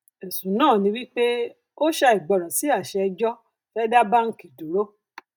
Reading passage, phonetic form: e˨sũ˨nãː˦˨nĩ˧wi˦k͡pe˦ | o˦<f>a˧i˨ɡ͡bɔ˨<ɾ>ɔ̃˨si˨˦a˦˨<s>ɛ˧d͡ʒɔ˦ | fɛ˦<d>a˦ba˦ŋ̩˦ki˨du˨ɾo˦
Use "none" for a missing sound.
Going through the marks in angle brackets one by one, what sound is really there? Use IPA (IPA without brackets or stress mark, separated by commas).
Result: ʃ, ɾ, ʃ, d